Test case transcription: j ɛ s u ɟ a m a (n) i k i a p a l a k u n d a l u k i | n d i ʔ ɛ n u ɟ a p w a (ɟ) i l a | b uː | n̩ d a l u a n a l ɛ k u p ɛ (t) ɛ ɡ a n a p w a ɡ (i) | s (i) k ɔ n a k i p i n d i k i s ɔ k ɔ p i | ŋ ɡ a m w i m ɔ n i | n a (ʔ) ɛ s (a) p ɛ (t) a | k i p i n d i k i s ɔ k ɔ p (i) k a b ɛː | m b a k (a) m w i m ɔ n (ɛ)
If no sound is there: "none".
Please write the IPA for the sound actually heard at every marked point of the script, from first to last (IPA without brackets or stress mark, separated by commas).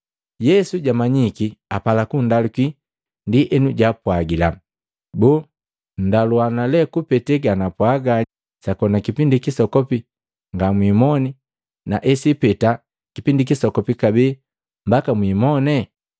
ɲ, ɡ, t, a, a, ʔ, i, t, i, a, ɛ